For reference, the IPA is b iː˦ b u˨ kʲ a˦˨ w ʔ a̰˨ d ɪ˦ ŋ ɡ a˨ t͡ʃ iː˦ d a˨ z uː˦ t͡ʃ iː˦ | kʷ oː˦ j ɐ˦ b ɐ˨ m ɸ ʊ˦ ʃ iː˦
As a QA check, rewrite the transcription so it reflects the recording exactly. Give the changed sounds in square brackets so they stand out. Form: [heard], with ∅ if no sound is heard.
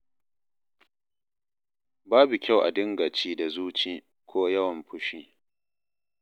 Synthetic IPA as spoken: b [aː˦] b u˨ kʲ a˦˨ w ʔ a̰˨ d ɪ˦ ŋ ɡ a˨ t͡ʃ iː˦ d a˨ z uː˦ t͡ʃ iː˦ | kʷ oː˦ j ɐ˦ [w] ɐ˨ m ɸ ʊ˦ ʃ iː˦